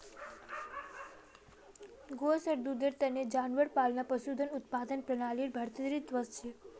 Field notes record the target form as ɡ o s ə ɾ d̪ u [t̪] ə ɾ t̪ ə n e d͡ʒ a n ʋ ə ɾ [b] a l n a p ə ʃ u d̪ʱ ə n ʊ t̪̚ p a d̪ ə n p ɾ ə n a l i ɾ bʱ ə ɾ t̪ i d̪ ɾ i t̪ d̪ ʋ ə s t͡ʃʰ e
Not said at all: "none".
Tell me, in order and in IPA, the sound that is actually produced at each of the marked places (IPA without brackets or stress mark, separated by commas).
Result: d̪, p